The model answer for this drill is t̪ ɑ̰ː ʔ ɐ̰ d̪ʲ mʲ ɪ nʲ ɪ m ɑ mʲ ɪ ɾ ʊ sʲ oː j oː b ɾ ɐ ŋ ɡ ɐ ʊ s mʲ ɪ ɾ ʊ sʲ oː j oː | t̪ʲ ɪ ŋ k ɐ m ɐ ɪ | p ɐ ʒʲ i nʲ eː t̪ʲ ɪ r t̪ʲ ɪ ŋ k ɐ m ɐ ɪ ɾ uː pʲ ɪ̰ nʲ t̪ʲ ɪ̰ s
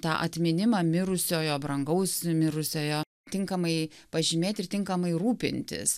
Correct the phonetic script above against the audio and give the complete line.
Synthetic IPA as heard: t̪ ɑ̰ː ʔ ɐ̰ t̪ʲ mʲ ɪ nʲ ɪ m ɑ mʲ ɪ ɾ ʊ sʲ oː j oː b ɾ ɐ ŋ ɡ ɐ ʊ s mʲ ɪ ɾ ʊ sʲ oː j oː | t̪ʲ ɪ ŋ k ɐ m ɐ ɪ | p ɐ ʒʲ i mʲ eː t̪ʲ ɪ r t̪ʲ ɪ ŋ k ɐ m ɐ ɪ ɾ uː pʲ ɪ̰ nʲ t̪ʲ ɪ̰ s

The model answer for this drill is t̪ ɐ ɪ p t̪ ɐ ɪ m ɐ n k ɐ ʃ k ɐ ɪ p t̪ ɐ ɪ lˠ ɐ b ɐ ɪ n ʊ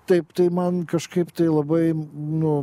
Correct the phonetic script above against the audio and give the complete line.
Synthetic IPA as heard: t̪ ɐ ɪ p t̪ ɐ ɪ m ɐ n k ɐ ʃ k ɐ ɪ p t̪ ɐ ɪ lˠ ɐ b ɐ ɪ n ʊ

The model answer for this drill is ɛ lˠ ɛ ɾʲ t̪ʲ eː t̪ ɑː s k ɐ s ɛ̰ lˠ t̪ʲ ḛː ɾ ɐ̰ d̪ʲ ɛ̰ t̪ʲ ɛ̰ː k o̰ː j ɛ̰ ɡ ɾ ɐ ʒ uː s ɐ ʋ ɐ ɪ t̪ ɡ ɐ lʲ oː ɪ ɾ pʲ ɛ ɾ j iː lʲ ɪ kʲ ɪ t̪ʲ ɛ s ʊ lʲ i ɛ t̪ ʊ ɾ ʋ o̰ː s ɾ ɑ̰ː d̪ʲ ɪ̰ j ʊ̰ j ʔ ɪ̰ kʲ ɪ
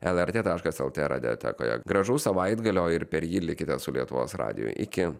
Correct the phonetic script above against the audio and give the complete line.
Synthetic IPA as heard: ɛ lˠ ɛ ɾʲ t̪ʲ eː t̪ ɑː ʃ k ɐ s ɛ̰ lˠ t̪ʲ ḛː ɾ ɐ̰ d̪ʲ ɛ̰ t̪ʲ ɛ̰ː k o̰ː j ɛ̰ ɡ ɾ ɐ ʒ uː s ɐ ʋ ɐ ɪ d̪ ɡ ɐ lʲ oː ɪ ɾ pʲ ɛ ɾ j iː lʲ ɪ kʲ ɪ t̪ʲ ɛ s ʊ lʲ i ɛ t̪ ʊ ʋ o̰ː s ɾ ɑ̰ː d̪ʲ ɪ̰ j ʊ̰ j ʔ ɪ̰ kʲ ɪ

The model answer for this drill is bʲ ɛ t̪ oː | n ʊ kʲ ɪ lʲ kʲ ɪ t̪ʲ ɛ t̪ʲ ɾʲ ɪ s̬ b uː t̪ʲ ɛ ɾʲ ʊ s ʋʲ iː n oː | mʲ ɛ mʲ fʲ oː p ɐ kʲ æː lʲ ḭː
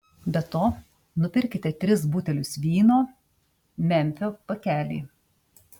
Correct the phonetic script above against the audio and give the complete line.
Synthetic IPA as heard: bʲ ɛ t̪ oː | n ʊ pʲ ɪ ɾʲ kʲ ɪ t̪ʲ ɛ t̪ʲ ɾʲ ɪ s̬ b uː t̪ʲ ɛ lʲ ʊ s ʋʲ iː n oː | mʲ ɛ mʲ fʲ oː p ɐ kʲ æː lʲ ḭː

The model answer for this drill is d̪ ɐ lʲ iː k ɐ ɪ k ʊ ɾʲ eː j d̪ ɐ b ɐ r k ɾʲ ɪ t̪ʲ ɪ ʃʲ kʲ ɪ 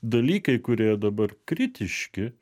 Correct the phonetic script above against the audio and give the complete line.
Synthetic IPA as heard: d̪ ɐ lʲ iː k ɐ ɪ k ʊ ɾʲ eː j d̪ ɐ b ɐ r k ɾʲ ɪ t̪ʲ ɪ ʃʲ kʲ ɪ

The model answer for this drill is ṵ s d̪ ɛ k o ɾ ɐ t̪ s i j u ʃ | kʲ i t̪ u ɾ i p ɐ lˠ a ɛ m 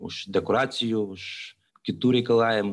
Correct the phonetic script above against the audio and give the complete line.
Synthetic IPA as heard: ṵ ʃ d̪ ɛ k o ɾ a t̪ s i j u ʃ | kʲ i t̪ u ɾ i k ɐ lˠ a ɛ m

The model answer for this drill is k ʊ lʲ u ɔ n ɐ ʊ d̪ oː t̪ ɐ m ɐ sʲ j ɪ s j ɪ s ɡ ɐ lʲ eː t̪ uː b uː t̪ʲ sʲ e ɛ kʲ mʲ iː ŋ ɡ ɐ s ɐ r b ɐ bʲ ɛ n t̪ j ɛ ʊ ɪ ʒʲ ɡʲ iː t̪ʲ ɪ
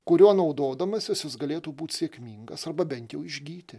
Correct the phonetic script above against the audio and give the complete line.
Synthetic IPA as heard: k ʊ ɾʲ u ɔ n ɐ ʊ d̪ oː d̪ ɐ m ɐ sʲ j ɪ s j ɪ s ɡ ɐ lʲ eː t̪ uː b uː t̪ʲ sʲ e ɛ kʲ mʲ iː ŋ ɡ ɐ s ɐ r b ɐ bʲ ɛ n t̪ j ɛ ʊ ɪ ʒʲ ɡʲ iː t̪ʲ ɪ

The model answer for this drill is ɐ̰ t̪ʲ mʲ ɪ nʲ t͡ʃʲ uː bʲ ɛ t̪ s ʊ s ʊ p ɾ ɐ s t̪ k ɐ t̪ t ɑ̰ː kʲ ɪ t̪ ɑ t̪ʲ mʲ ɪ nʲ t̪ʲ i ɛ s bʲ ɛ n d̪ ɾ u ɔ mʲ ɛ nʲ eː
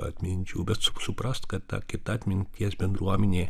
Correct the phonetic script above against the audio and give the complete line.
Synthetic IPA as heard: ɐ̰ t̪ʲ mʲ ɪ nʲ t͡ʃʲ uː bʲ ɛ t̪ s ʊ s ʊ p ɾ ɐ s t̪ k ɐ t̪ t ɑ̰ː kʲ ɪ t̪ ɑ t̪ʲ mʲ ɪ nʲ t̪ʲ i ɛ s bʲ ɛ n d̪ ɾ u ɔ mʲ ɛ nʲ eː

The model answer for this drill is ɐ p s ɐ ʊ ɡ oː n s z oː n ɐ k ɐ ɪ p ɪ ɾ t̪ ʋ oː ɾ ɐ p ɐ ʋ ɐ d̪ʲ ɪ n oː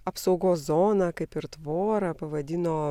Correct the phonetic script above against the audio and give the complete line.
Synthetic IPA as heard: ɐ p s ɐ ʊ ɡ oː s z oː n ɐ k ɐ ɪ p ɪ ɾ t̪ ʋ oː ɾ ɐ p ɐ ʋ ɐ d̪ʲ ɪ n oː

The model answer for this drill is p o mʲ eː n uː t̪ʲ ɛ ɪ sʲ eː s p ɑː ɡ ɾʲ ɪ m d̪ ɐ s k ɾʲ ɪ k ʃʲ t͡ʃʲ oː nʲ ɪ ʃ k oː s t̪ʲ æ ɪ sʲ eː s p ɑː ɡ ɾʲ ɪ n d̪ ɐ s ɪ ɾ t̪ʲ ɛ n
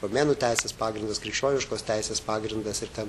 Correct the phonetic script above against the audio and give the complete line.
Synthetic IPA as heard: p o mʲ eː n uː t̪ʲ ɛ ɪ sʲ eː s p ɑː ɡ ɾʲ ɪ n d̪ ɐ s k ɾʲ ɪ k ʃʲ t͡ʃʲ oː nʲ ɪ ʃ k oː s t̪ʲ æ ɪ sʲ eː s p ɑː ɡ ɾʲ ɪ n d̪ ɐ s ɪ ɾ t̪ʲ ɛ n

